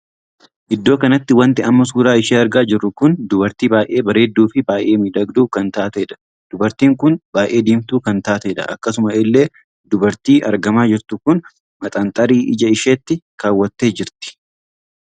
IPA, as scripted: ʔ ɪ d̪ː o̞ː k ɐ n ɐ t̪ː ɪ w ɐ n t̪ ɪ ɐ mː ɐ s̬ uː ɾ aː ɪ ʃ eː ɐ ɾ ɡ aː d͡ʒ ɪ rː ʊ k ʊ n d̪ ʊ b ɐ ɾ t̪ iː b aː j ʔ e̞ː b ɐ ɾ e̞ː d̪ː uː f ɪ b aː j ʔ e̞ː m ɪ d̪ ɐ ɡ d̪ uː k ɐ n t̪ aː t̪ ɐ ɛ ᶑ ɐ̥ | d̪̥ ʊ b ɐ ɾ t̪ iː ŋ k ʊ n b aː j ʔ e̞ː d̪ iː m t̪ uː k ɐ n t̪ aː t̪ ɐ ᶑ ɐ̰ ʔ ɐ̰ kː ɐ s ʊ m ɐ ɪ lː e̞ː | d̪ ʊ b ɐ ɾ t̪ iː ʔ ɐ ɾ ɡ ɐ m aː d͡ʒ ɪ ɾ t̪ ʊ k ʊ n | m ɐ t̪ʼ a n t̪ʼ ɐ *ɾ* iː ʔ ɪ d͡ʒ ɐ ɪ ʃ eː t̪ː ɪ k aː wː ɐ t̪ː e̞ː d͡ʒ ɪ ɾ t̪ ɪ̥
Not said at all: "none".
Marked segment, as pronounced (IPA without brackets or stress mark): ɾ